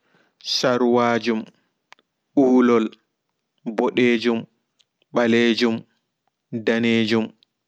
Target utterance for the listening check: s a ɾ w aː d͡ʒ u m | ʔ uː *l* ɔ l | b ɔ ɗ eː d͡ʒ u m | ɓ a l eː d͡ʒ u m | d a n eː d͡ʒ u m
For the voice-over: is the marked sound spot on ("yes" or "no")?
yes